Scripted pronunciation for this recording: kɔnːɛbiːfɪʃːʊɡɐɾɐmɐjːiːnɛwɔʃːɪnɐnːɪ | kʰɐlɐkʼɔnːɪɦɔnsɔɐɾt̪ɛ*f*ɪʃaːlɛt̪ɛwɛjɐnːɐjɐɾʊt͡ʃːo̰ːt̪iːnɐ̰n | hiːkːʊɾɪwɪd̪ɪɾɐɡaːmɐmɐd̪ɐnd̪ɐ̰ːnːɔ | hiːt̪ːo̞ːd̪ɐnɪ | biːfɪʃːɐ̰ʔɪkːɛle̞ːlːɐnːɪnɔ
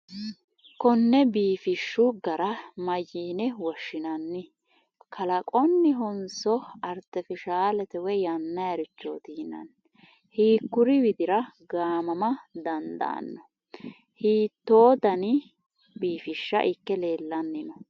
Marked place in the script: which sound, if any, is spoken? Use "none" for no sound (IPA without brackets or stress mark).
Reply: f